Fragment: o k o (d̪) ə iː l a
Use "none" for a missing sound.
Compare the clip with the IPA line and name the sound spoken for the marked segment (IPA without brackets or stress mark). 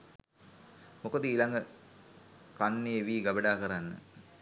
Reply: d̪